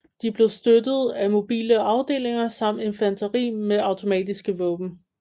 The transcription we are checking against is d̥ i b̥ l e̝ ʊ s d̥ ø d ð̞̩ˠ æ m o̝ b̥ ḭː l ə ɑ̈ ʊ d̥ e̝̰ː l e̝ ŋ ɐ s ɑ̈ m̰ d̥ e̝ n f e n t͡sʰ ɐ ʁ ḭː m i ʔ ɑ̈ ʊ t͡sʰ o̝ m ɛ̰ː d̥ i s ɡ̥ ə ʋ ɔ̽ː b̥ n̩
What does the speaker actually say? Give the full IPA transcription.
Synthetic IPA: d̥ i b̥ l e̝ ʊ s d̥ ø d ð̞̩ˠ æ m o̝ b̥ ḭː l ə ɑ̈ ʊ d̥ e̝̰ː l e̝ ŋ ɐ s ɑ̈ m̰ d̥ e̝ n f æ n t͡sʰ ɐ ʁ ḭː m e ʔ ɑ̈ ʊ t͡sʰ o̝ m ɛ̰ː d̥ i s ɡ̥ ə ʋ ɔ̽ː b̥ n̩